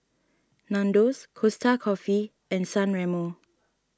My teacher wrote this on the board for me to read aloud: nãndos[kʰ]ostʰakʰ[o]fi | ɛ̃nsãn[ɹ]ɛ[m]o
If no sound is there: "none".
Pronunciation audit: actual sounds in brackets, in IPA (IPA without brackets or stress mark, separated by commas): kʰ, ɔ, ɹ, m